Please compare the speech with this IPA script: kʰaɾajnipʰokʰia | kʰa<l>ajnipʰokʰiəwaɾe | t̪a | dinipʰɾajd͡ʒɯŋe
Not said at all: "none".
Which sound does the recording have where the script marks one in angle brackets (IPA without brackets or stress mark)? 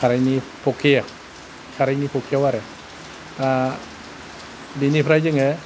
ɾ